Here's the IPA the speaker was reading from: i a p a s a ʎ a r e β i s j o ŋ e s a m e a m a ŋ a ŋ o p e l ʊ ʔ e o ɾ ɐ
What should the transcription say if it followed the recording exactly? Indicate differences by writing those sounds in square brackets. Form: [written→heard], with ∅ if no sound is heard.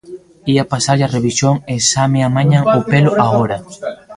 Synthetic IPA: i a p a s a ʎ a r e β i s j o ŋ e s a m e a m a [ŋ→ɲ] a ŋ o p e l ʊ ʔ [e→a] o ɾ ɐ

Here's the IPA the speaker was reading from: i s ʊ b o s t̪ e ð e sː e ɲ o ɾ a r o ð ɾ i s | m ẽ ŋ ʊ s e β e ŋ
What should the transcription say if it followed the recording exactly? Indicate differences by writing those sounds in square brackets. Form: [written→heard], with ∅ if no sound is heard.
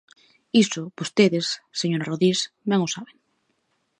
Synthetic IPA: i s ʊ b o s t̪ e ð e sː e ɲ o ɾ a r o ð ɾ i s | m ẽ ŋ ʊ s [e→a] β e ŋ

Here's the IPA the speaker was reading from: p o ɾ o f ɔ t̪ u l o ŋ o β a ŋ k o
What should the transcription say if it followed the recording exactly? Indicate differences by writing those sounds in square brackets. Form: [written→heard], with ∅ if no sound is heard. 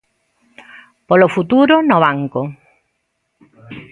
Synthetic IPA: p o [ɾ→l] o f [ɔ→u] t̪ u [l→ɾ] o [ŋ→n] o β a ŋ k o

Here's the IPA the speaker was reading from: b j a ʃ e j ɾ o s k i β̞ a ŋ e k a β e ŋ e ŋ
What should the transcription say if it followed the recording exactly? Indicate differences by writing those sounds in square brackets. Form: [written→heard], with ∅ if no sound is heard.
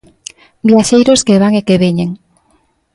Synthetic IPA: b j a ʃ e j ɾ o s k [i→e] β̞ a ŋ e k [a→e] β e [ŋ→ɲ] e ŋ

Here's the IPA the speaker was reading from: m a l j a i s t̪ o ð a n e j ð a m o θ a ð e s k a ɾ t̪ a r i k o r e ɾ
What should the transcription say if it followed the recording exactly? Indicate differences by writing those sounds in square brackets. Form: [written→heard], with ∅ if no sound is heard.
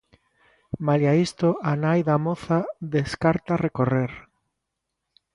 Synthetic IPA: m a l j a i s t̪ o [ð→∅] a n [e→a] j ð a m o θ a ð e s k a ɾ t̪ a r [i→e] k o r e ɾ

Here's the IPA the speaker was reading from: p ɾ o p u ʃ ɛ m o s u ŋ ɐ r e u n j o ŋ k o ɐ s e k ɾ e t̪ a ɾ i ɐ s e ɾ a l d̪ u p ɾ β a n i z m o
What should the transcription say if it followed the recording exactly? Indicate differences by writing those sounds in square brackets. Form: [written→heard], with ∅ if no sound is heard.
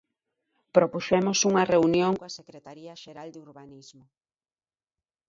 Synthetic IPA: p ɾ o p u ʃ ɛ m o s u ŋ ɐ r e u n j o ŋ k o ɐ s e k ɾ e t̪ a ɾ i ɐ [s→ʃ] e ɾ a l d̪ u [p→∅] ɾ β a n i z m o

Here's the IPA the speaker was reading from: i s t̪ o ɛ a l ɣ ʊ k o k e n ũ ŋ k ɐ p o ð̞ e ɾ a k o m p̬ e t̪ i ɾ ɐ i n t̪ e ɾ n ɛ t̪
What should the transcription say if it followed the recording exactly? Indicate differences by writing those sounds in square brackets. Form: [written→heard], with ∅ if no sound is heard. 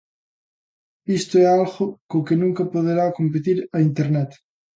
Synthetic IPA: i s t̪ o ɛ a l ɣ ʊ k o k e n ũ ŋ k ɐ p o ð̞ e ɾ a k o m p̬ e t̪ i ɾ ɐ i n t̪ e ɾ n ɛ t̪

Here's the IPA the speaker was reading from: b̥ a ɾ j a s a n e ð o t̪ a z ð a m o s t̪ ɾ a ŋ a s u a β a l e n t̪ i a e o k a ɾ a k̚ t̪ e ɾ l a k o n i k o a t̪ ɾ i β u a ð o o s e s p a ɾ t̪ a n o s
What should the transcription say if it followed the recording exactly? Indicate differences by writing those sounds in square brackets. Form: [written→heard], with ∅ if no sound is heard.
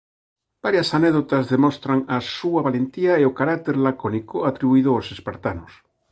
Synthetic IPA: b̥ a ɾ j a s a n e ð o t̪ a z ð [a→e] m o s t̪ ɾ a ŋ a s u a β a l e n t̪ i a e o k a ɾ a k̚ t̪ e ɾ l a k o n i k o a t̪ ɾ i β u [a→i] ð o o s e s p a ɾ t̪ a n o s

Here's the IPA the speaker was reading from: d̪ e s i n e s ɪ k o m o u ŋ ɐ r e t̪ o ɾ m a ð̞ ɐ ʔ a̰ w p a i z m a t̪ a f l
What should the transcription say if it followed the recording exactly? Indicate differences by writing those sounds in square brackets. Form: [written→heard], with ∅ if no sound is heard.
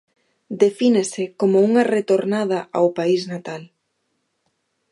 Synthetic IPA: d̪ e [s→f] i n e s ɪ k o m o u ŋ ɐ r e t̪ o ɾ [m→n] a ð̞ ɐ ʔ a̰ w p a i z [m→n] a t̪ a [f→∅] l

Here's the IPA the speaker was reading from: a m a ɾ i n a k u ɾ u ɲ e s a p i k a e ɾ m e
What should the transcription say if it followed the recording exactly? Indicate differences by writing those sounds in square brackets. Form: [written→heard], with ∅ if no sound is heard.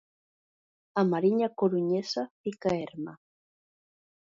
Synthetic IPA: a m a ɾ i [n→ɲ] a k [u→o] ɾ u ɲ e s a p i k a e ɾ m [e→a]

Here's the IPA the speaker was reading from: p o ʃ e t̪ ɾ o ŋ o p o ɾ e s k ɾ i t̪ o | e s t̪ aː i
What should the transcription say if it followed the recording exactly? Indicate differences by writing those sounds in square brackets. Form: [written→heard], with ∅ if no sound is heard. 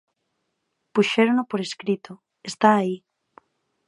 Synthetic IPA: p [o→u] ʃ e [t̪→∅] ɾ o [ŋ→n] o p o ɾ e s k ɾ i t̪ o | e s t̪ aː i

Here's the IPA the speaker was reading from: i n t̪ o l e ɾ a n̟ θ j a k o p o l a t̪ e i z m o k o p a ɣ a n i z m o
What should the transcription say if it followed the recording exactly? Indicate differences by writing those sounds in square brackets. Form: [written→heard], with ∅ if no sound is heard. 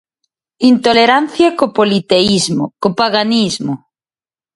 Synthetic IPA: i n t̪ o l e ɾ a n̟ θ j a k o p o l [a→i] t̪ e i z m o k o p a ɣ a n i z m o

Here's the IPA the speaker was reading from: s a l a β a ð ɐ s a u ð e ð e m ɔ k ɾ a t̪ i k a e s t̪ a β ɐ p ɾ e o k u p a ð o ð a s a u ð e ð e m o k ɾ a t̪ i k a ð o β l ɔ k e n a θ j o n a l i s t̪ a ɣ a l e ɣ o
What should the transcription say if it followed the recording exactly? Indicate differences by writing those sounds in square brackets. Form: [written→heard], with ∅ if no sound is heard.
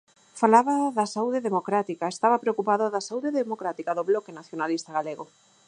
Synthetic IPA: [s→f] a l a β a ð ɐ s a u ð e ð e m [ɔ→o] k ɾ a t̪ i k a e s t̪ a β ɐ p ɾ e o k u p a ð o ð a s a u ð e ð e m o k ɾ a t̪ i k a ð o β l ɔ k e n a θ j o n a l i s t̪ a ɣ a l e ɣ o

